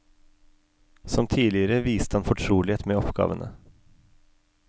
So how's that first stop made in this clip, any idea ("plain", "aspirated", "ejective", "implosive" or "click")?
aspirated